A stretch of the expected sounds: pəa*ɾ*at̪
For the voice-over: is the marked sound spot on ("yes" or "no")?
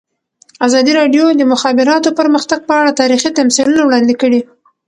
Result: no